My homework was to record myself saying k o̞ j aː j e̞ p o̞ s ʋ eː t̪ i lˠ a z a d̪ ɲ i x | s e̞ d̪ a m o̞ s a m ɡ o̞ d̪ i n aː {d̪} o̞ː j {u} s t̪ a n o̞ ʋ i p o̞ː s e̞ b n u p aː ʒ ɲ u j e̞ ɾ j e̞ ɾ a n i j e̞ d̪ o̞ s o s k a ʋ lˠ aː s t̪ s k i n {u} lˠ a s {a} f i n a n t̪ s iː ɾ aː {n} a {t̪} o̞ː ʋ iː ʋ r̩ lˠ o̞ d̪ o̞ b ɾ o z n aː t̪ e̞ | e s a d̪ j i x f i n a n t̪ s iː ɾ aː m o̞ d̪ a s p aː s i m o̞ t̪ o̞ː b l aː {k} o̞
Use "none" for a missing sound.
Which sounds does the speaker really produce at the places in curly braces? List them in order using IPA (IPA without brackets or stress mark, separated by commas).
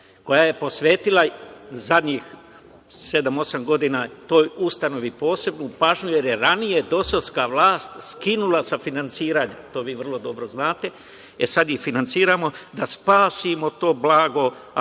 t̪, u, u, a, ɲ, t̪, ɡ